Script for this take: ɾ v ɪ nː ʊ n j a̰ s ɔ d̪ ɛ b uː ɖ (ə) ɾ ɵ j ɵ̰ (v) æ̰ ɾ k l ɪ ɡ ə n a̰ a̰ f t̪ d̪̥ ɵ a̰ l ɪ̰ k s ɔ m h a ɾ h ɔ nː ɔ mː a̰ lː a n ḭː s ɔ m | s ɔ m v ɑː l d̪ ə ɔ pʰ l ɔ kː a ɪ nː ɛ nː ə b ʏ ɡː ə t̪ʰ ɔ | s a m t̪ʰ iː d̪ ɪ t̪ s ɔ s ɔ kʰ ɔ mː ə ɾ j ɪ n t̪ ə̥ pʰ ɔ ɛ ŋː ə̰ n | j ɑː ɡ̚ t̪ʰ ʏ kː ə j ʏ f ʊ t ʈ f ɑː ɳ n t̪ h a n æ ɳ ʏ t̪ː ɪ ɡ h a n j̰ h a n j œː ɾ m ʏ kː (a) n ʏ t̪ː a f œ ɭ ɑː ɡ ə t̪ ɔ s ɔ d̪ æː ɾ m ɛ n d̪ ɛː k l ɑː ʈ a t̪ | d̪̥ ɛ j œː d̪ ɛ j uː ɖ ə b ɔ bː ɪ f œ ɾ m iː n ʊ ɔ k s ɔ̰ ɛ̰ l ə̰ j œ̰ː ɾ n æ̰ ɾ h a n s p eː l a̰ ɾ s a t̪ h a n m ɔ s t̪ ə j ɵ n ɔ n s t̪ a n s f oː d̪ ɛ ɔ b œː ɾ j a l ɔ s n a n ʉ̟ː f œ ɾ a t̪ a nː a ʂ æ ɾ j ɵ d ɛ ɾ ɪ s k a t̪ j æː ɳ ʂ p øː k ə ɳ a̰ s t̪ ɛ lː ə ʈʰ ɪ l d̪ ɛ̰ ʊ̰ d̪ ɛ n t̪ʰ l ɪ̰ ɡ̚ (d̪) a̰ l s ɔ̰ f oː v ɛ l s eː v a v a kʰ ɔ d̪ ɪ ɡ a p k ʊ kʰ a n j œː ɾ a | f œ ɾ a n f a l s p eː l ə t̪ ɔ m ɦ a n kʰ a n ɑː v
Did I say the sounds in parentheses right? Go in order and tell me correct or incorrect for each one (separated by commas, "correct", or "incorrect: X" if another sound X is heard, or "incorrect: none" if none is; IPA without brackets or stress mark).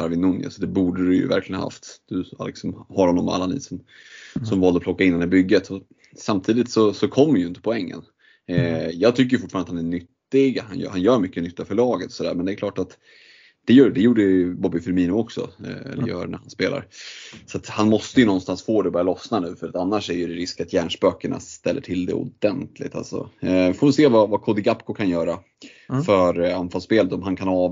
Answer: correct, correct, incorrect: ə, incorrect: t̪